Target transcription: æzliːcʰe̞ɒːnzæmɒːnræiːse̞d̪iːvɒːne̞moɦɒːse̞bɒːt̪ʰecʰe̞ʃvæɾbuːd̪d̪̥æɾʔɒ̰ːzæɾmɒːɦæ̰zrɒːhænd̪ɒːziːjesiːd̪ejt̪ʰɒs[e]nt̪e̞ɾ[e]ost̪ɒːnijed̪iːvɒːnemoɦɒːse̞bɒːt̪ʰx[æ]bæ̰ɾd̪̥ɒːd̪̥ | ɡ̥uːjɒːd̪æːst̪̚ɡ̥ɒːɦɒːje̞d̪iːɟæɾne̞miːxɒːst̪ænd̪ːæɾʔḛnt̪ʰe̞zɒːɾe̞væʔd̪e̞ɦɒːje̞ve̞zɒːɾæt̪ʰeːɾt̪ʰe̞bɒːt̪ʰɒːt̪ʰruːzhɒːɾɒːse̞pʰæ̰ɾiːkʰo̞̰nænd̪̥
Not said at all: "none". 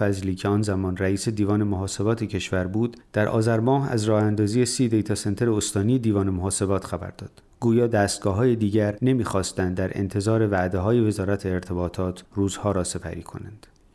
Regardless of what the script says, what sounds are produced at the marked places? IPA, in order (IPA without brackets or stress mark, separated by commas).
e, e, æ